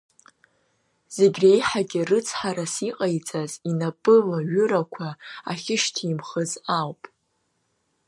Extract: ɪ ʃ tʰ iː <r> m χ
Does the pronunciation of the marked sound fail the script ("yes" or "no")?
yes